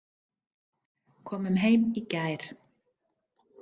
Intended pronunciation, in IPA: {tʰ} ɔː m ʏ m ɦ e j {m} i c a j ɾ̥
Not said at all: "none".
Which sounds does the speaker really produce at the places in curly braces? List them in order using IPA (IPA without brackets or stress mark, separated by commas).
kʰ, m